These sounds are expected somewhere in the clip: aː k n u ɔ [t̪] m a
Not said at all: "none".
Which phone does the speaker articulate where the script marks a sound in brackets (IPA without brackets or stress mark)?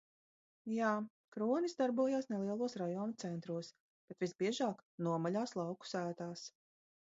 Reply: none